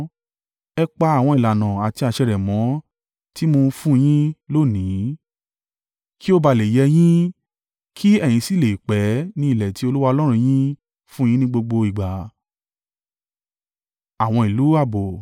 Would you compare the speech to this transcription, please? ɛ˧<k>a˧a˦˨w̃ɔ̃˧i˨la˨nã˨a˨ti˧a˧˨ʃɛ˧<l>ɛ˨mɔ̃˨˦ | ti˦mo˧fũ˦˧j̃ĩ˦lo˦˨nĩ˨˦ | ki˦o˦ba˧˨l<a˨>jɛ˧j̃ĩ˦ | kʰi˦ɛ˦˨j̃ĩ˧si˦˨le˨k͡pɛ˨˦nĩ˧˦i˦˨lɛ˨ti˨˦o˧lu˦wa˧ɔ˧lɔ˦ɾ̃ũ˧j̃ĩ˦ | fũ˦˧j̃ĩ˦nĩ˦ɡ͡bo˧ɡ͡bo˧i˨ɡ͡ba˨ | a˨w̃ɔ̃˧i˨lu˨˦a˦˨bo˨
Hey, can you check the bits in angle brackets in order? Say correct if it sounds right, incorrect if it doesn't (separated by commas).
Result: incorrect, incorrect, incorrect